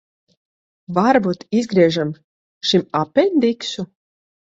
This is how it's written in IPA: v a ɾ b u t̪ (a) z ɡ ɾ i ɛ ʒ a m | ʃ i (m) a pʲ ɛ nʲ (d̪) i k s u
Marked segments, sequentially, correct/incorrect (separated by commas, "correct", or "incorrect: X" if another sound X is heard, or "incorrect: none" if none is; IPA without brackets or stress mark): incorrect: i, correct, correct